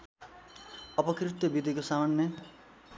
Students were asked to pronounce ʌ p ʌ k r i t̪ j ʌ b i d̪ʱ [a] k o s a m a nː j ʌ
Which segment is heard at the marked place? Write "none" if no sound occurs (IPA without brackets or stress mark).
i